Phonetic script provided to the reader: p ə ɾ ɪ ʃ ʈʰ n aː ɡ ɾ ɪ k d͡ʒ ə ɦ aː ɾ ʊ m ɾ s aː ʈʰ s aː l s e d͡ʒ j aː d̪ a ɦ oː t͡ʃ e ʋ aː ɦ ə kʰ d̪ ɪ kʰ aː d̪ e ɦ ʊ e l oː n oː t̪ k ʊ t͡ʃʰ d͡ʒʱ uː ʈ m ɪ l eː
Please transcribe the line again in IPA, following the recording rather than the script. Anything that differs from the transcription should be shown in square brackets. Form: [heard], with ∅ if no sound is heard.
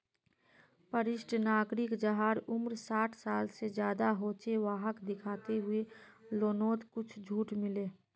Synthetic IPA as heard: p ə ɾ ɪ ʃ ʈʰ n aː ɡ ɾ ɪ k d͡ʒ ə ɦ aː ɾ ʊ m ɾ s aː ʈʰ s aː l s e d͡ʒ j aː d̪ a ɦ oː t͡ʃ e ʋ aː ɦ ə [k] d̪ ɪ kʰ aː [t̪] e ɦ ʊ e l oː n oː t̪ k ʊ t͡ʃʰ d͡ʒʱ uː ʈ m ɪ l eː

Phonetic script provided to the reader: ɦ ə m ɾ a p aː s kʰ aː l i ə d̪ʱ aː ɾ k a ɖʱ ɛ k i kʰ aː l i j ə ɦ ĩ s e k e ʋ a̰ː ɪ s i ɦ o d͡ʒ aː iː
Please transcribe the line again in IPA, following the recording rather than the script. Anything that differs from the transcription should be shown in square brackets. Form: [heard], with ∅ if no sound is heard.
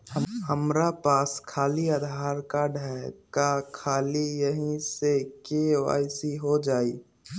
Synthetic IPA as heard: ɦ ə m ɾ a p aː s kʰ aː l i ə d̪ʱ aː ɾ k a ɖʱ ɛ k [a] kʰ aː l i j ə ɦ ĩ s e k e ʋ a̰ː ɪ s i ɦ o d͡ʒ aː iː

